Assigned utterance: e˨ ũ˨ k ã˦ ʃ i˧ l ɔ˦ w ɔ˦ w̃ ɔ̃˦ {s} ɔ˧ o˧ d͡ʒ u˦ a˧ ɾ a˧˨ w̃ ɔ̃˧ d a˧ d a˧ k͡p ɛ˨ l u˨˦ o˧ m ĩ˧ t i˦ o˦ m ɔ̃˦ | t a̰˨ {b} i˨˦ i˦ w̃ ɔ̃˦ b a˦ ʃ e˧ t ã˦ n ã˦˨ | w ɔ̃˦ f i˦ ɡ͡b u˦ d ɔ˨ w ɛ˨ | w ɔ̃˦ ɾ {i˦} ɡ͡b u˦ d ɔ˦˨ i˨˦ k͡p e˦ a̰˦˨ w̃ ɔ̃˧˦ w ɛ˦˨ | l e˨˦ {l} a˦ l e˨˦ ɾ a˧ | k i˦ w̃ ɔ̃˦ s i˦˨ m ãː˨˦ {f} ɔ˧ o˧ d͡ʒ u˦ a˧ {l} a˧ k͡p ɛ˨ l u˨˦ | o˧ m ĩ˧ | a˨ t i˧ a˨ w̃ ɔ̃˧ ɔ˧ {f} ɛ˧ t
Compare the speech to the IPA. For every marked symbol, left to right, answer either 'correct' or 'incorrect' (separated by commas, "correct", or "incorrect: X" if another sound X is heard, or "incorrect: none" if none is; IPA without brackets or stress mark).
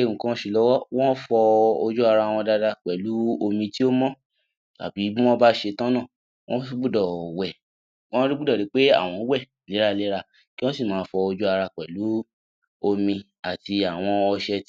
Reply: incorrect: f, correct, correct, incorrect: ɾ, correct, incorrect: ɾ, incorrect: ʃ